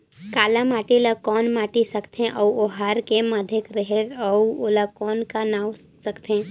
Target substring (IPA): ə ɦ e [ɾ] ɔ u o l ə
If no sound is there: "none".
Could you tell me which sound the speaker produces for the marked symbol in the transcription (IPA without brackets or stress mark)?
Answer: ɾ